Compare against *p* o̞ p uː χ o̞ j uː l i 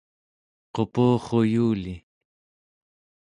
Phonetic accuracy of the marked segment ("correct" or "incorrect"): incorrect